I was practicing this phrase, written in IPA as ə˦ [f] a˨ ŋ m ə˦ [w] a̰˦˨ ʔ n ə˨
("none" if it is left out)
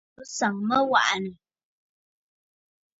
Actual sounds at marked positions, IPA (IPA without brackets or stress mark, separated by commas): s, w